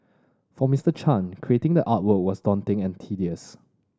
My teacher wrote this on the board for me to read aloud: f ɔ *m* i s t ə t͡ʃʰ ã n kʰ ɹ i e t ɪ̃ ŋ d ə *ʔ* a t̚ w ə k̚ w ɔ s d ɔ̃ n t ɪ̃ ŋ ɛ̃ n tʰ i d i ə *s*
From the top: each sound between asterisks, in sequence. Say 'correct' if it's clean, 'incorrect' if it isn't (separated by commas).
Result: correct, correct, correct